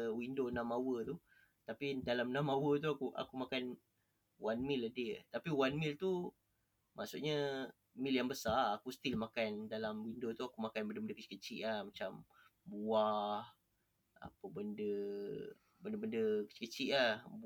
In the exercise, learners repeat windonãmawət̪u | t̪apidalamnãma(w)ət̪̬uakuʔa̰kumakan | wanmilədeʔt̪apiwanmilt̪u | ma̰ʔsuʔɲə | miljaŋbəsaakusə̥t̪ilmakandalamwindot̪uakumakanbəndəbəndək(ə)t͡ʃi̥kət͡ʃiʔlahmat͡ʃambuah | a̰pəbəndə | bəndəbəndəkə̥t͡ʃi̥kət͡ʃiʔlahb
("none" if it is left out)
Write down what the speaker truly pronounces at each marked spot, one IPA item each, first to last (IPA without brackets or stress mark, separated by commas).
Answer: w, ə